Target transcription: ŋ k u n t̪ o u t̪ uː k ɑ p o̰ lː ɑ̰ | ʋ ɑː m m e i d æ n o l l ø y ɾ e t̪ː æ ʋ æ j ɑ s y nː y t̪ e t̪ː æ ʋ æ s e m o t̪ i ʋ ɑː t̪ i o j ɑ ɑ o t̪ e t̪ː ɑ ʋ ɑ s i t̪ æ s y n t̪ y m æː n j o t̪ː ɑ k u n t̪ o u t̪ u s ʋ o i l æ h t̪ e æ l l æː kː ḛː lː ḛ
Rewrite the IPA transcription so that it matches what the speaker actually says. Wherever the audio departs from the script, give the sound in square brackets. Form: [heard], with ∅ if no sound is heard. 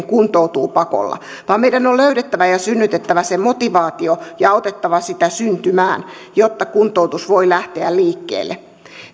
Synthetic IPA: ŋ k u n t̪ o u t̪ uː [p] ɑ [k] o̰ lː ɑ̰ | ʋ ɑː m m e i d æ n o l l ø y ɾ e t̪ː æ ʋ æ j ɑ s y nː y t̪ e t̪ː æ ʋ æ s e m o t̪ i ʋ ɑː t̪ i o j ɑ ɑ o t̪ e t̪ː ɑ ʋ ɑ s i t̪ æ s y n t̪ y m æː n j o t̪ː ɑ k u n t̪ o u t̪ u s ʋ o i l æ h t̪ e æ l l [iː] kː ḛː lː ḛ